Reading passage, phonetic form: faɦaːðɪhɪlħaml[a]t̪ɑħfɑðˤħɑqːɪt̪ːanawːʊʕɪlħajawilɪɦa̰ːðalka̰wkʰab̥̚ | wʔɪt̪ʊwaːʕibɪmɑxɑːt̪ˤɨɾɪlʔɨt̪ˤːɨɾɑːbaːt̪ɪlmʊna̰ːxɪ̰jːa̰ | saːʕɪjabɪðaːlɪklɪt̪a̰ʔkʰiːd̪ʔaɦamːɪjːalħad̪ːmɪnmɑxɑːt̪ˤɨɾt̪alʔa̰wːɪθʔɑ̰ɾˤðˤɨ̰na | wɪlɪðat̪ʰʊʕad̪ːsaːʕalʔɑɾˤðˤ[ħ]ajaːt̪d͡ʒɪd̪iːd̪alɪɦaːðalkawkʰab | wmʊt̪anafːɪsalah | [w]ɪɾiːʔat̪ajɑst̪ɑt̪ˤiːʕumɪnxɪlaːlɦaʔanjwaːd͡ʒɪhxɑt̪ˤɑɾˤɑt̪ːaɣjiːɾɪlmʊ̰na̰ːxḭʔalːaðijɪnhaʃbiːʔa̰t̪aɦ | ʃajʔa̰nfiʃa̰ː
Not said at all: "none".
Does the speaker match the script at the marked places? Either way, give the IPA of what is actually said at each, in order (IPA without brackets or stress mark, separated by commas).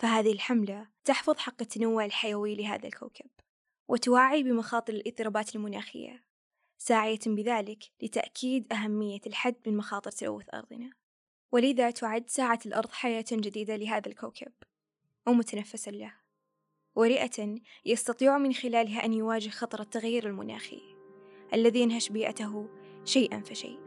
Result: a, ħ, w